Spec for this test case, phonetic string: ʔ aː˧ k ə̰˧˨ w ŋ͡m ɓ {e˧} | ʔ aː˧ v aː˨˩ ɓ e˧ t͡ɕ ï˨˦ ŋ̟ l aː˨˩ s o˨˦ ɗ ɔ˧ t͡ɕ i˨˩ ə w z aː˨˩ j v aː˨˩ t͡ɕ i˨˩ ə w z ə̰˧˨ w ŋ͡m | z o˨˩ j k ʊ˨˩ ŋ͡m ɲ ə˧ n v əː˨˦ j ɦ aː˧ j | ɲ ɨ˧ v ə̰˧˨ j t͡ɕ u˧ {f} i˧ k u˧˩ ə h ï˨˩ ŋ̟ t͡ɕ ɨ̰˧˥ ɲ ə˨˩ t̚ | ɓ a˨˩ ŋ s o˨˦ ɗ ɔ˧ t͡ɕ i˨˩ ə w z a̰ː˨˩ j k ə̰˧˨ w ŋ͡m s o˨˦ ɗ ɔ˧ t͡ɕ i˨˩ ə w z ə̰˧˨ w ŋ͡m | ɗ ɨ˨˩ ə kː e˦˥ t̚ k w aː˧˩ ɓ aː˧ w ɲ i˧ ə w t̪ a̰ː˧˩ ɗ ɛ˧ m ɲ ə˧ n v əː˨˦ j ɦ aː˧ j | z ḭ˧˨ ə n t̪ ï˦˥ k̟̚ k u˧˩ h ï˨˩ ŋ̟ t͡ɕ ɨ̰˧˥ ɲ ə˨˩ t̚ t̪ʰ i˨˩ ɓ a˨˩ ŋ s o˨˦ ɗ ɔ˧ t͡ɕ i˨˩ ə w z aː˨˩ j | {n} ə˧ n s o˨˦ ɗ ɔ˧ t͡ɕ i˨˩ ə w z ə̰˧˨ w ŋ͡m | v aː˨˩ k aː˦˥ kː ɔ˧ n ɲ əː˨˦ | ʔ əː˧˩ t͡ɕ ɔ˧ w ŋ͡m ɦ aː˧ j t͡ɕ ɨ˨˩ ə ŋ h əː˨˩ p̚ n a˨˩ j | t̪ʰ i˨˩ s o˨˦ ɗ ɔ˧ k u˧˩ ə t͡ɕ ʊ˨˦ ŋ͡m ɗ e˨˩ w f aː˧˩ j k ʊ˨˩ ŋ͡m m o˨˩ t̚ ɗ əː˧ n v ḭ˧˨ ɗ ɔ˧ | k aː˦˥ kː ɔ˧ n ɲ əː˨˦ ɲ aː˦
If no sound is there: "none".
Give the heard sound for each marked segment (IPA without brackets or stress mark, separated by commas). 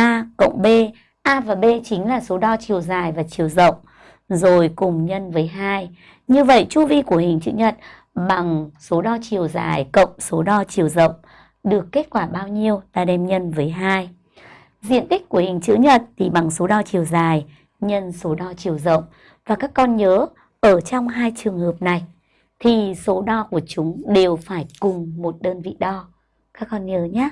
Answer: e˧, v, ɲ